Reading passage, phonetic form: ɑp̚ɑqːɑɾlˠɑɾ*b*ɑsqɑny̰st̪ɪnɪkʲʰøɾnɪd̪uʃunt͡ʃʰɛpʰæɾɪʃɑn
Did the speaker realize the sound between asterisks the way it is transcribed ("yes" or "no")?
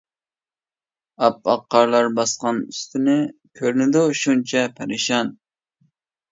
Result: yes